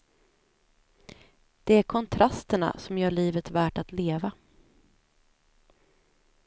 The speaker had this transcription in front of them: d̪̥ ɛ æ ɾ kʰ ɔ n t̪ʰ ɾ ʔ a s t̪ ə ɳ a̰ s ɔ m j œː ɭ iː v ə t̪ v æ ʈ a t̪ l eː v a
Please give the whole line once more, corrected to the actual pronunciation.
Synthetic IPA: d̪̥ ɛ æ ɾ kʰ ɔ n t̪ʰ ɾ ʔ a s t̪ ə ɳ a̰ s ɔ m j œː ɭ iː v ə t̪ v æː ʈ a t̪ l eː v a